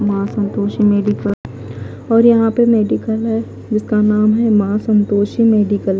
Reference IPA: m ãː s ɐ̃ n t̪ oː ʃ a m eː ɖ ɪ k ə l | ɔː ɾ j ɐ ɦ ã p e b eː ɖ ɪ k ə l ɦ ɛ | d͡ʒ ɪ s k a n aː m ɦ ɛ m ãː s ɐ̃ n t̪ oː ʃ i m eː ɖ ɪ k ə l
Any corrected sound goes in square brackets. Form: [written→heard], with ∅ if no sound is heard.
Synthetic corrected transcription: m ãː s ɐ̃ n t̪ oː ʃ [a→i] m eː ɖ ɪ k ə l | ɔː ɾ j ɐ ɦ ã p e [b→m] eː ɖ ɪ k ə l ɦ ɛ | d͡ʒ ɪ s k a n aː m ɦ ɛ m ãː s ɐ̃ n t̪ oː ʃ i m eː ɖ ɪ k ə l